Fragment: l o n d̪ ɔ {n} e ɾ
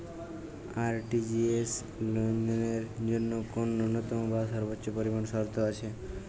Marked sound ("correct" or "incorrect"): correct